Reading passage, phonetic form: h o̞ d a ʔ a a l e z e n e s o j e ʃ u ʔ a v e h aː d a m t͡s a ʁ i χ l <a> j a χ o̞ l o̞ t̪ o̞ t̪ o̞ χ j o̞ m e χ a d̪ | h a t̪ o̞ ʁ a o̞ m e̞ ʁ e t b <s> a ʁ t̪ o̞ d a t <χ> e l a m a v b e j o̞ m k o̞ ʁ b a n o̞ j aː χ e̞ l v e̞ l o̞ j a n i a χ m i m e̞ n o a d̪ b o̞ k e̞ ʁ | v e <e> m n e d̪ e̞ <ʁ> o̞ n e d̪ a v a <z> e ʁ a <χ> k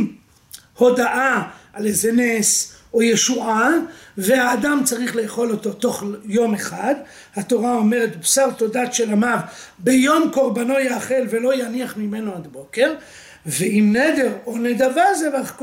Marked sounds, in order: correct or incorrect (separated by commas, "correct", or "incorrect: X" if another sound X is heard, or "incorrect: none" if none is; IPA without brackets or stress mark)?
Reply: incorrect: e, correct, incorrect: ʃ, incorrect: i, correct, correct, correct